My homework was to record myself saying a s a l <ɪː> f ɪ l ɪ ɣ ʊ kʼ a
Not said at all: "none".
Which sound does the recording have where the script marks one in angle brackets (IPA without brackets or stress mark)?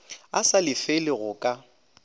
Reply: ɪ